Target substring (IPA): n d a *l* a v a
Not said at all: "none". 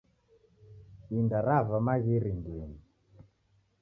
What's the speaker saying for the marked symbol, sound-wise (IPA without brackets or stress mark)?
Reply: ɾ